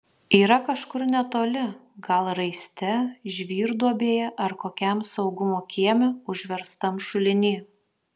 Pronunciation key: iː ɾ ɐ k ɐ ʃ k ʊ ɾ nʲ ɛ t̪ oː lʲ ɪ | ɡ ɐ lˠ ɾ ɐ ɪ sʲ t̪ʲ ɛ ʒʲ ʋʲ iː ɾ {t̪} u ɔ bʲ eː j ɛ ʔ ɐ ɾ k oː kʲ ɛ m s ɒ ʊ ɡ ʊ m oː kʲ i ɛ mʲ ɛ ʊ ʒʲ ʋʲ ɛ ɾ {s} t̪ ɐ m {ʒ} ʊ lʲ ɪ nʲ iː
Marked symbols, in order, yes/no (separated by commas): no, yes, no